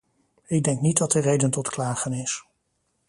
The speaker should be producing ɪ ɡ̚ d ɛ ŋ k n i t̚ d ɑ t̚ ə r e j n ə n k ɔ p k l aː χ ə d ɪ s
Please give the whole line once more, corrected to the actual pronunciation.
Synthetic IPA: ɪ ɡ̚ d ɛ ŋ k n i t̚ d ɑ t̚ ə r e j d ə n t ɔ t k l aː χ ə n ɪ s